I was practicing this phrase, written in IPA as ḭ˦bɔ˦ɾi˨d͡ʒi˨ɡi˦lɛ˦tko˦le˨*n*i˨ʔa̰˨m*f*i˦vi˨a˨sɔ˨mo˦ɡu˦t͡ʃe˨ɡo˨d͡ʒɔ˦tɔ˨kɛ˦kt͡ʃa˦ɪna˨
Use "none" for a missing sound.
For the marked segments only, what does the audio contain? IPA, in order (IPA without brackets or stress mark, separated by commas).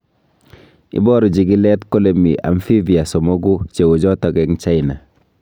m, f